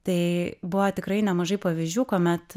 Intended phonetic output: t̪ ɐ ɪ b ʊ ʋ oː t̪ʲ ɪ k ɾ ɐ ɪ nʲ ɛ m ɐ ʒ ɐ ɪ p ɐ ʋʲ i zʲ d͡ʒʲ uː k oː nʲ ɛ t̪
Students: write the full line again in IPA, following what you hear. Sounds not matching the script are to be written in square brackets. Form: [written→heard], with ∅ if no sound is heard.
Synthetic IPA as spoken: t̪ ɐ ɪ b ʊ ʋ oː t̪ʲ ɪ k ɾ ɐ ɪ nʲ ɛ m ɐ ʒ ɐ ɪ p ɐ ʋʲ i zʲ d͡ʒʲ uː k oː [nʲ→mʲ] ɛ t̪